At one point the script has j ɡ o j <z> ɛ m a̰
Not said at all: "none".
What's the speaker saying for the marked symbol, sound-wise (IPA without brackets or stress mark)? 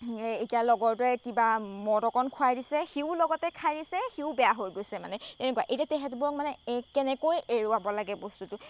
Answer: s